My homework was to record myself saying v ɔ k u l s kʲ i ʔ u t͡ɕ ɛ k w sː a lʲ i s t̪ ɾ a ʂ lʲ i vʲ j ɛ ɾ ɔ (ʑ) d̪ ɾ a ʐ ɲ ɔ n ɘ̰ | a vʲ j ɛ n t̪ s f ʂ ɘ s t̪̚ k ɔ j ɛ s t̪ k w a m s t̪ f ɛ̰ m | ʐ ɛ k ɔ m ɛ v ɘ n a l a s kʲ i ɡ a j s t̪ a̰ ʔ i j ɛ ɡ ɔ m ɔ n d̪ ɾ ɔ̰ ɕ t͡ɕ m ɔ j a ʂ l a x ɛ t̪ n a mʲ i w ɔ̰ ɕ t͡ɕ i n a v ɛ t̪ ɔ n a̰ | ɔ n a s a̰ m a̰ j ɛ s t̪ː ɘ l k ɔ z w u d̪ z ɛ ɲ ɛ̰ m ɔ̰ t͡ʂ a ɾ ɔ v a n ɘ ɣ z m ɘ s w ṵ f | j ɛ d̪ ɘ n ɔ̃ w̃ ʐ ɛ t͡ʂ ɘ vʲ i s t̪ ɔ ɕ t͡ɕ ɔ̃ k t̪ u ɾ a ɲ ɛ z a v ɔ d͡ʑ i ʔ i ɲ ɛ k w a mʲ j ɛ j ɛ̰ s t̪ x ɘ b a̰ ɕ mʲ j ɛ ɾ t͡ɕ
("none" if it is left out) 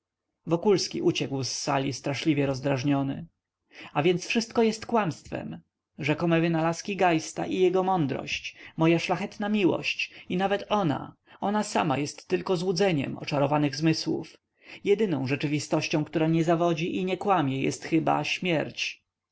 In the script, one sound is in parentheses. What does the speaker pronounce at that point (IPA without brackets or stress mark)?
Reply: z